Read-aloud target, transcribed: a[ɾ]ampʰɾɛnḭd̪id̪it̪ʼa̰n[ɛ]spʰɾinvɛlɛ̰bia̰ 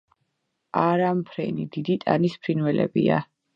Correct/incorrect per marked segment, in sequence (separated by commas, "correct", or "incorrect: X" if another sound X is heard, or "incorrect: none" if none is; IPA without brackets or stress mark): correct, incorrect: i